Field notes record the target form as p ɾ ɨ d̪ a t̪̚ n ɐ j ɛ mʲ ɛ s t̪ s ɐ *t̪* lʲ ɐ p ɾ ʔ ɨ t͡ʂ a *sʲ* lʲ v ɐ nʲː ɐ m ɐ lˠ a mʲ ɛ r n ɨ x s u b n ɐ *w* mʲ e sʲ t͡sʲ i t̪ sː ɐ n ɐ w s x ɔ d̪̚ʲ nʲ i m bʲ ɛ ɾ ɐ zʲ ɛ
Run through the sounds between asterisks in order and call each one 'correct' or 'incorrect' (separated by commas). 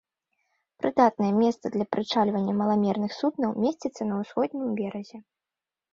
incorrect, incorrect, correct